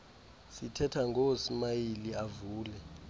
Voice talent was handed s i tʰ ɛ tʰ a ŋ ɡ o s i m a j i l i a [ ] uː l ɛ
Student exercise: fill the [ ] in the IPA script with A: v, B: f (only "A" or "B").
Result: A